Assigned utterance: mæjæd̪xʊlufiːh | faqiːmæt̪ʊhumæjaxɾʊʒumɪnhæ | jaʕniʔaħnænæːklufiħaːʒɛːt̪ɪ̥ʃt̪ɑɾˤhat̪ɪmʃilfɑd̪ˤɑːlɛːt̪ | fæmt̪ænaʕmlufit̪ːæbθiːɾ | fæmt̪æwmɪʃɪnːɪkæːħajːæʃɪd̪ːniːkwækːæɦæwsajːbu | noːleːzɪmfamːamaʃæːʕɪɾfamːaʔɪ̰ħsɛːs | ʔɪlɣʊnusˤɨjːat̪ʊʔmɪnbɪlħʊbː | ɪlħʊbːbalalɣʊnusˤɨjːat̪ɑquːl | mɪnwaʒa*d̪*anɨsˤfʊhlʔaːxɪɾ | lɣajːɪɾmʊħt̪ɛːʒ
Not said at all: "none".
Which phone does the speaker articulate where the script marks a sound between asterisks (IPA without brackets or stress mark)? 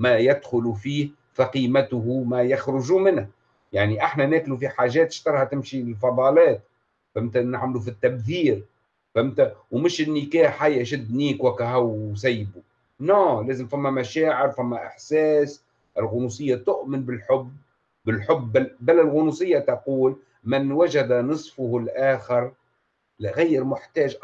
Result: d̪